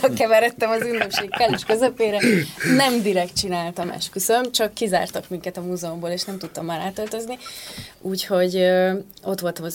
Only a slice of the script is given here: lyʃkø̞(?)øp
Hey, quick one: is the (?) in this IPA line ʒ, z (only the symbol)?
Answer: z